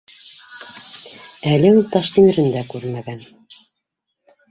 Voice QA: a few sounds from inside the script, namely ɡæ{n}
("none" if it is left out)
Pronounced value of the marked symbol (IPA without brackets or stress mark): n